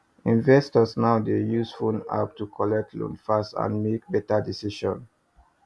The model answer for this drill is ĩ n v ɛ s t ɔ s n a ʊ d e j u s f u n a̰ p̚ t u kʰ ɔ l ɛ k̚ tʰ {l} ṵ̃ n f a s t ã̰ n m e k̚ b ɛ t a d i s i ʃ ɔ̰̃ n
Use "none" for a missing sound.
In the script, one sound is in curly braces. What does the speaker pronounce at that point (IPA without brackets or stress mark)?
l